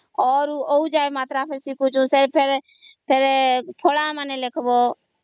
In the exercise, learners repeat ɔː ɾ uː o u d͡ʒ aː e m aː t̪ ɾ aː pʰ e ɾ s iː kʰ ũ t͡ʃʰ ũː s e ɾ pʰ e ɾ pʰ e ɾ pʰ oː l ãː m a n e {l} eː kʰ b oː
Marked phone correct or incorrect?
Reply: correct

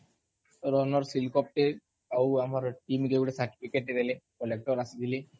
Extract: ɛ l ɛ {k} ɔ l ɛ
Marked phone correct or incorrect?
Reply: correct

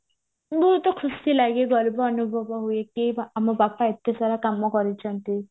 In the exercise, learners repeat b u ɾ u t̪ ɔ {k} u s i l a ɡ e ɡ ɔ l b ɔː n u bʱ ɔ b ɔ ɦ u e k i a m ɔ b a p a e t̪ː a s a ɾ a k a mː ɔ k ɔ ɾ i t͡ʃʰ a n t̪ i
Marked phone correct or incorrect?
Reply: incorrect: kʰ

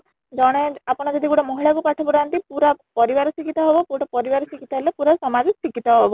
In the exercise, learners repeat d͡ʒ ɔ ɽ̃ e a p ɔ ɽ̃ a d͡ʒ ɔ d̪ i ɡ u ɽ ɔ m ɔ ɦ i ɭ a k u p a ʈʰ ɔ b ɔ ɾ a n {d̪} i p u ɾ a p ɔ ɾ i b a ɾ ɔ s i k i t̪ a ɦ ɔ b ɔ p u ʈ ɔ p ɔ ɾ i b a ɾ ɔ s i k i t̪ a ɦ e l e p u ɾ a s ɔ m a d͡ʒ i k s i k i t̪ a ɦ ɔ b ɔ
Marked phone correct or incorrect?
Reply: incorrect: t̪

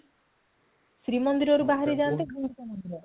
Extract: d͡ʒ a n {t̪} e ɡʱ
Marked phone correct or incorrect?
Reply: correct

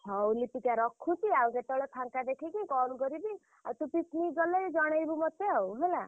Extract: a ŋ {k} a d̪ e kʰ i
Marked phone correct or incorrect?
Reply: correct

